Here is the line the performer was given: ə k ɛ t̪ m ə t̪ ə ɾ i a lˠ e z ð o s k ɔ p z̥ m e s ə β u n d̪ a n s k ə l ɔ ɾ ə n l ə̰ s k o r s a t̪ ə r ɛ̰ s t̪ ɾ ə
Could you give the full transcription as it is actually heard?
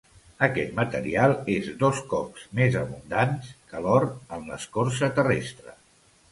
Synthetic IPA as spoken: ə k ɛ t̪ m ə t̪ ə ɾ i a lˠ e z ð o s k ɔ p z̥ m e z ə β u n d̪ a n s k ə l ɔ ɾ ə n l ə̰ s k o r s ə t̪ ə r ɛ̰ s t̪ ɾ ə